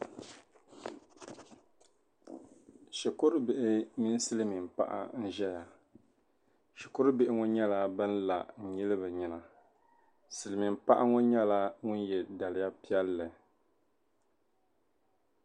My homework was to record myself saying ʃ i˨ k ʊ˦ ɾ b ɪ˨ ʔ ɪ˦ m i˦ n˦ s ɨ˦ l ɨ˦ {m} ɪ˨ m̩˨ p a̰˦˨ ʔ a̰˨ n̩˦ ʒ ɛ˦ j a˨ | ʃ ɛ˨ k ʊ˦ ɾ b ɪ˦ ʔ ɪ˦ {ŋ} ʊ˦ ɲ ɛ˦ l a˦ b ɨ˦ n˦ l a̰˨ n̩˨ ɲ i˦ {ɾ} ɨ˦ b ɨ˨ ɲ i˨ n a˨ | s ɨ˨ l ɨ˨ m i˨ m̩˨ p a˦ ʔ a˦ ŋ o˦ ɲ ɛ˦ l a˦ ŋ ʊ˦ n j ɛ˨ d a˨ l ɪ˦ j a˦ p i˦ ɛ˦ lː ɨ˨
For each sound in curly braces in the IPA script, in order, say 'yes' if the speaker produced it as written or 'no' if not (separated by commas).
yes, yes, no